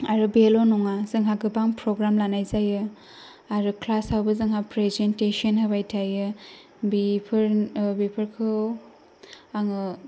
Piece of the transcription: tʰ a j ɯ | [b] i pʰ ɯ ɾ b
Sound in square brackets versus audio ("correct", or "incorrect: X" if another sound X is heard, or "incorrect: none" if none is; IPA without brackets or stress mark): correct